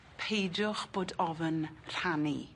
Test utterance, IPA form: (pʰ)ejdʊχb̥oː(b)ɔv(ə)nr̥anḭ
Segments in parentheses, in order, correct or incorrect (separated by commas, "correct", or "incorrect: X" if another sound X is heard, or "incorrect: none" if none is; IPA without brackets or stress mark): correct, incorrect: d, correct